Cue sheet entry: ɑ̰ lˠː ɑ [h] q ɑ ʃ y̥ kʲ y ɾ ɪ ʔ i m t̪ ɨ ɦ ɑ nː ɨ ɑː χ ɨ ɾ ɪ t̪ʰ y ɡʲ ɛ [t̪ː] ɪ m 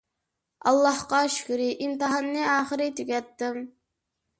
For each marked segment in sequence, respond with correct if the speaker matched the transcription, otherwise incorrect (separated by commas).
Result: correct, correct